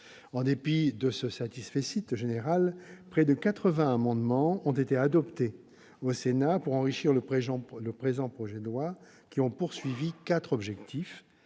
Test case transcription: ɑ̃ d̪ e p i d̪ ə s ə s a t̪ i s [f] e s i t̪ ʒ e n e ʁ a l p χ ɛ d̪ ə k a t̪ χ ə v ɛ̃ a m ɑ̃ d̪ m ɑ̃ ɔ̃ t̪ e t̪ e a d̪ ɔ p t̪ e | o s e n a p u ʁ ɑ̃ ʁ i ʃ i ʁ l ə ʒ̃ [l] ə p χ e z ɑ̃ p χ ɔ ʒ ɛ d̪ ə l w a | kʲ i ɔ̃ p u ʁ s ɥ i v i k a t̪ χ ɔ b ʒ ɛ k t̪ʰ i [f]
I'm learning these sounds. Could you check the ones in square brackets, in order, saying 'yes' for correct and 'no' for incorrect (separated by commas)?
yes, yes, yes